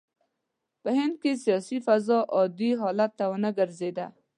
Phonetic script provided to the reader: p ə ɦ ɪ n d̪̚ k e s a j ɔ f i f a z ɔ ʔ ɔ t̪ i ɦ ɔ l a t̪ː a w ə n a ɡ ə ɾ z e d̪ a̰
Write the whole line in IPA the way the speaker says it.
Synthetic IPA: p ə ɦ ɪ n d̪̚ k e s i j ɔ s i f a z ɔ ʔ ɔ d̪ i ɦ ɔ l a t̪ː a w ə n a ɡ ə ɾ z e d̪ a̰